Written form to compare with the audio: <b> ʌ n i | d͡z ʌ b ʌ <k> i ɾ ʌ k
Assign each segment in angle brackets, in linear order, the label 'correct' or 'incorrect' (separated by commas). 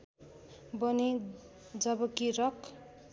correct, correct